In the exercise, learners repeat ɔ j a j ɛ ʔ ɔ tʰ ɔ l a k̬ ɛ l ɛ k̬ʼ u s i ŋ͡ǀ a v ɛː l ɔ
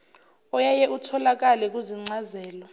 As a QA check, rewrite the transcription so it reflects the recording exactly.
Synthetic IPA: ɔ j a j ɛ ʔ u tʰ ɔ l a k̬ a l ɛ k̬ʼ u z i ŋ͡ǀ a z ɛː l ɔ